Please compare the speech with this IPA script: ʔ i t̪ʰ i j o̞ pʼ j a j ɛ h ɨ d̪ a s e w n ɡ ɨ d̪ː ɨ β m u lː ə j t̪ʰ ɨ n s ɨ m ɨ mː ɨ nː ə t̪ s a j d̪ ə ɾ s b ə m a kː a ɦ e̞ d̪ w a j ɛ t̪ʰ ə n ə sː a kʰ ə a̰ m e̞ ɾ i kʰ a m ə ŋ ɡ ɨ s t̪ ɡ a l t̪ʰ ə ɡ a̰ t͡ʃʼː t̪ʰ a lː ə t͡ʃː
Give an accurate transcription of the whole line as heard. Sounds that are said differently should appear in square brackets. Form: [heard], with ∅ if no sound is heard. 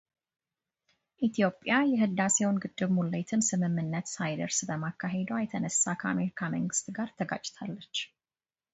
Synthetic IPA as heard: ʔ i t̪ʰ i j o̞ pʼ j a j ɛ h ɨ d̪ a s e w n ɡ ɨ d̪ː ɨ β m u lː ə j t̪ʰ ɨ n s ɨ m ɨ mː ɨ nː ə t̪ s a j d̪ ə ɾ s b ə m a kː a ɦ e̞ d̪ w a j ɛ t̪ʰ ə n ə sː a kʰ ə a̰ m e̞ ɾ i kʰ a m ə ŋ ɡ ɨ s t̪ ɡ a [ɾ] t̪ʰ ə ɡ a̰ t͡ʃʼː t̪ʰ a lː ə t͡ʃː